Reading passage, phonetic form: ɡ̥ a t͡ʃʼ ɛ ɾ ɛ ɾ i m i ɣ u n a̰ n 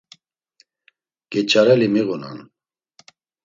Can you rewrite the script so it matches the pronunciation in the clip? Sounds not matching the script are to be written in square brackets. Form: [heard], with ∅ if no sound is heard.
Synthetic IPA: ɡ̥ [ɛ] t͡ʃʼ [a] ɾ ɛ [l] i m i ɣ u n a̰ n